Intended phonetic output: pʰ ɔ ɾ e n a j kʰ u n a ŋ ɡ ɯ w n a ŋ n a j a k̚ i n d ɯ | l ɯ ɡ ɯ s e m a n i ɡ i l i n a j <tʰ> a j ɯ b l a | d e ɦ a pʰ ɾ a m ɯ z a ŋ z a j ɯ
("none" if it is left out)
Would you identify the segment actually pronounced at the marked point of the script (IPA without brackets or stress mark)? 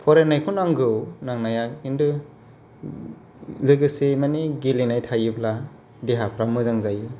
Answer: tʰ